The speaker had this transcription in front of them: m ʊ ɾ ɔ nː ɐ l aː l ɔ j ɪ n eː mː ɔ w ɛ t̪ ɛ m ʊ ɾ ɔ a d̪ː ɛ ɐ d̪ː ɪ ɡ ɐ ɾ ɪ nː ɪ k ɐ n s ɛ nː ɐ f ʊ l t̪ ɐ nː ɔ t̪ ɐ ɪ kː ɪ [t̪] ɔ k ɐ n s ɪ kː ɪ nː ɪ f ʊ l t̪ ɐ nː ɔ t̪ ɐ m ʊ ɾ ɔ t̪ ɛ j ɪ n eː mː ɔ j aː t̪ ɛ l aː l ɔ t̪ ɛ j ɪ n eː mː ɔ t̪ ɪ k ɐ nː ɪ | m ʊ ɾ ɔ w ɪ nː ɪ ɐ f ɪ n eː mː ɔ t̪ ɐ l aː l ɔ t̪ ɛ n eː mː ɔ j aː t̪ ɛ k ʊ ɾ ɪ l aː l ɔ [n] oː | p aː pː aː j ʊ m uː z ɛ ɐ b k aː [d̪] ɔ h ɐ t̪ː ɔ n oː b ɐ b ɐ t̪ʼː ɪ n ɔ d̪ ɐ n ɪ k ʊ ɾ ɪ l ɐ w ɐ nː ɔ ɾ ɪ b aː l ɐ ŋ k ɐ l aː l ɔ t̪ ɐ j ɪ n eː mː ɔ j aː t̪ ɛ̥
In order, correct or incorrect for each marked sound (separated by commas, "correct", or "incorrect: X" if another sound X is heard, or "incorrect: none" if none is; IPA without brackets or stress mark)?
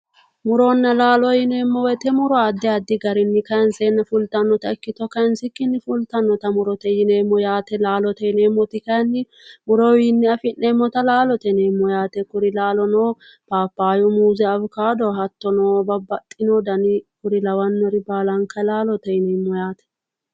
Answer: correct, correct, correct